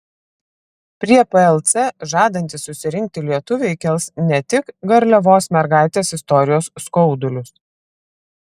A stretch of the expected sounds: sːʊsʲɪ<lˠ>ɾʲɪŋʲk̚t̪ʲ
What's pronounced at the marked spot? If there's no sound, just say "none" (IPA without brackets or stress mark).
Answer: none